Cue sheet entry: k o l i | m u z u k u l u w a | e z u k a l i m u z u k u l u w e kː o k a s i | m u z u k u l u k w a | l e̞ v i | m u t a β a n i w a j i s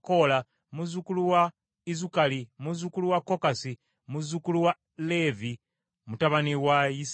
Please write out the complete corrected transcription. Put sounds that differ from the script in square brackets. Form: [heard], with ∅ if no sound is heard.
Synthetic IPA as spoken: k o l [a] | m u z u k u l u w a | [i] z u k a l i m u z u k u l u w [a] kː o k a s i | m u z u k u l u [∅] w a | l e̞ v i | m u t a β a n i w a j i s